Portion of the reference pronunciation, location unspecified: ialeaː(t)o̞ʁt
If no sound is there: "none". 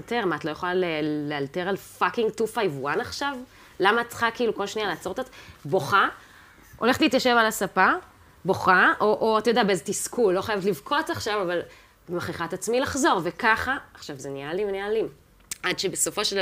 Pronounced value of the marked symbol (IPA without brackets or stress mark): t͡s